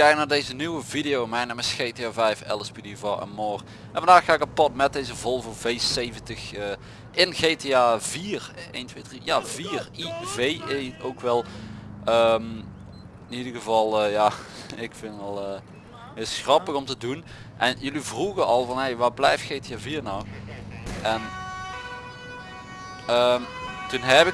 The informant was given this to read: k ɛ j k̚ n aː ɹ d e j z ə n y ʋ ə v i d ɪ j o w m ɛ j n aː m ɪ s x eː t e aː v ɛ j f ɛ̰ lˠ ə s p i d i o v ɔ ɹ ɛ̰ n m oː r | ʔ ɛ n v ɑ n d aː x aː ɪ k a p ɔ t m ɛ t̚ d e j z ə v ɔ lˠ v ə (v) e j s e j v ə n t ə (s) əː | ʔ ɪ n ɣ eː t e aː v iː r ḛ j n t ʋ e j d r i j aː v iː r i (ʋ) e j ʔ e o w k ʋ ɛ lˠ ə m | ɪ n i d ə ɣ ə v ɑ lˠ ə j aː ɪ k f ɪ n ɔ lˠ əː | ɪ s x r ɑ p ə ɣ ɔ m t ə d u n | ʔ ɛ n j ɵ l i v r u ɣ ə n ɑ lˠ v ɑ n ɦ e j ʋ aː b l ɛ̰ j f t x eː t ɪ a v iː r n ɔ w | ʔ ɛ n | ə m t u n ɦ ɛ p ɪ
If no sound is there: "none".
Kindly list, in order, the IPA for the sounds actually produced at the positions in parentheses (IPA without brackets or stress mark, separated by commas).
v, x, v